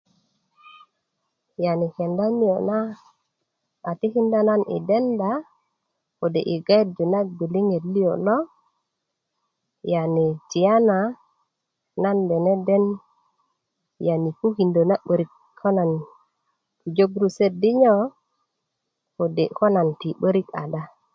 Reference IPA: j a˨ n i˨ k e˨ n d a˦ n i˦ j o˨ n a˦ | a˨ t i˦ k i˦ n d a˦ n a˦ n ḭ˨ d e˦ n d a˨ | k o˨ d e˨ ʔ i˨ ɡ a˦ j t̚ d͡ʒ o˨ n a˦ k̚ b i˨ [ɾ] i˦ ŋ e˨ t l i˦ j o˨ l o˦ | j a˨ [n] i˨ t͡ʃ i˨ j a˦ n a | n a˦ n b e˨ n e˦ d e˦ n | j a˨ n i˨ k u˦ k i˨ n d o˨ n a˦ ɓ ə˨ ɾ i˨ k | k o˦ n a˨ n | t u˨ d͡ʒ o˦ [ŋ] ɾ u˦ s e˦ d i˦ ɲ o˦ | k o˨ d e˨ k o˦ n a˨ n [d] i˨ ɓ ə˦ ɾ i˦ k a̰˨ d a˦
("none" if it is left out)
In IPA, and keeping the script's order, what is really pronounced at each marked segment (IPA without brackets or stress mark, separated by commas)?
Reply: l, n, ɡ, t